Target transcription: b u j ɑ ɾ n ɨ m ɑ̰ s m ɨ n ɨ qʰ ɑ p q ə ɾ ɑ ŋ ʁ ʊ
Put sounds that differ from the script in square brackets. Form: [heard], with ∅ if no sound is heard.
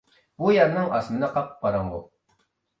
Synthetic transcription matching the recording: b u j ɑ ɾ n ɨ [ŋ] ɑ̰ s m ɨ n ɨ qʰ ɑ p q [ɑ] ɾ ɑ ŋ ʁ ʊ